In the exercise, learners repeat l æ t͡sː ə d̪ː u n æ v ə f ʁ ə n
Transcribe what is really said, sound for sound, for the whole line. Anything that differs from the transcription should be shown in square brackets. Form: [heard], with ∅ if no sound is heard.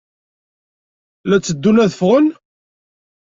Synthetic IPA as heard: l æ t͡sː ə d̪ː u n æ [ð] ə f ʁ ə n